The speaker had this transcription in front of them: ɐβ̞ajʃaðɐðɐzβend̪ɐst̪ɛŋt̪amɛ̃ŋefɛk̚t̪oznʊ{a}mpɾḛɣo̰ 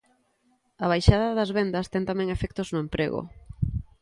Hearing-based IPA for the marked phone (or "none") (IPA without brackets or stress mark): e